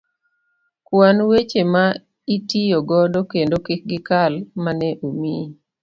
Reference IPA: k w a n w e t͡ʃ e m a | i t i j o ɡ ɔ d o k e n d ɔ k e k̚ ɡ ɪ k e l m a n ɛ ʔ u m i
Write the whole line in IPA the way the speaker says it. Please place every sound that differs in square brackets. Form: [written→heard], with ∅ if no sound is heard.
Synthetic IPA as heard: k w a n w e t͡ʃ e m a | i t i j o ɡ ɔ d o k e n d [ɔ→o] k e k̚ ɡ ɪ k [e→a] l m a n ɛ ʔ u m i